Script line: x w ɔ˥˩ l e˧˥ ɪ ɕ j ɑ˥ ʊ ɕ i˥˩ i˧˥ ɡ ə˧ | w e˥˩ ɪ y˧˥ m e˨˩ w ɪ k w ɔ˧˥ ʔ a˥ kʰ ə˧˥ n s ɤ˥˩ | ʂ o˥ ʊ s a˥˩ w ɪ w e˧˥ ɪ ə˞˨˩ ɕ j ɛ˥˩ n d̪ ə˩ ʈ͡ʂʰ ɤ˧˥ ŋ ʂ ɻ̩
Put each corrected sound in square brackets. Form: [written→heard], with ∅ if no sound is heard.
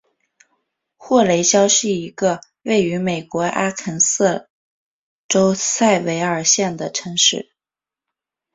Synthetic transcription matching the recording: x w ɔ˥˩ l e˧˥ ɪ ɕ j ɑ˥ ʊ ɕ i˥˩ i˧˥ ɡ ə˧ | w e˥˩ ɪ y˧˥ m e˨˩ [w→∅] ɪ k w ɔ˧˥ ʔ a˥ kʰ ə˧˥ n s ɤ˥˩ | [ʂ→ʈ͡ʂ] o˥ ʊ s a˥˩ [w→∅] ɪ w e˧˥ ɪ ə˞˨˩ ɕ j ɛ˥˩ n d̪ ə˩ ʈ͡ʂʰ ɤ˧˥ ŋ ʂ ɻ̩